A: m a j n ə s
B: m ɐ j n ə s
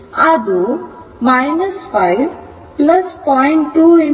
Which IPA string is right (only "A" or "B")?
A